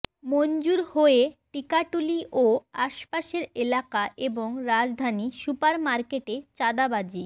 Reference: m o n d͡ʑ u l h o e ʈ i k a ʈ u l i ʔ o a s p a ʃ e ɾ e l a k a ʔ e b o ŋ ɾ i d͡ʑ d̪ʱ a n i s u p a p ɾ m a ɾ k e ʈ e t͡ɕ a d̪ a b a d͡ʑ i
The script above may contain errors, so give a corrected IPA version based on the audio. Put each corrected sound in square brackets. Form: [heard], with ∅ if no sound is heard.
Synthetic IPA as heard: m o n d͡ʑ u [ɾ] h o e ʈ i k a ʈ u l i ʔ o a [ʃ] p a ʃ e ɾ e l a k a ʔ e b o ŋ ɾ [a] d͡ʑ d̪ʱ a n i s u p a [∅] ɾ m a ɾ k e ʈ e t͡ɕ a d̪ a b a d͡ʑ i